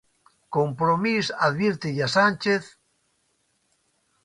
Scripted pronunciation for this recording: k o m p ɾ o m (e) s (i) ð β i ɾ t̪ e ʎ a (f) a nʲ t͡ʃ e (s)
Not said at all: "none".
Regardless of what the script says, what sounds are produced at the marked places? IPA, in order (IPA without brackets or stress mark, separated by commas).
i, a, s, θ